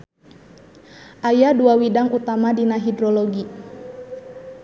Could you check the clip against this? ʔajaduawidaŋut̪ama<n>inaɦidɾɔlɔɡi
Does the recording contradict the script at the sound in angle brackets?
yes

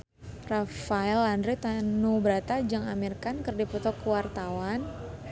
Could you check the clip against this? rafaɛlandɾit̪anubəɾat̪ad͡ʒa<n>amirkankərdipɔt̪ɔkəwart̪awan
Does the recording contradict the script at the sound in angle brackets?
yes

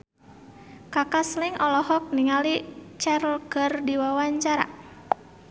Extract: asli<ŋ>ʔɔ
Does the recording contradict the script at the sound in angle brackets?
no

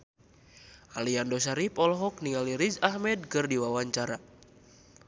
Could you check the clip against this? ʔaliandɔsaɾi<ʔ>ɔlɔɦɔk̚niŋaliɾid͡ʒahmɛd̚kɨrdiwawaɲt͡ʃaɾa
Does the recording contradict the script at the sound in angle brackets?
yes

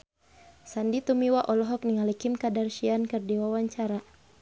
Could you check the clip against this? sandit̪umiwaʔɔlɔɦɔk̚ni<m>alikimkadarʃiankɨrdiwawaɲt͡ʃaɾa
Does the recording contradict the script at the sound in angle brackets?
yes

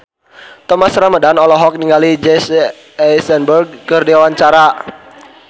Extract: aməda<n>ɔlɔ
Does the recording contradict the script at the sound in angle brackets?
no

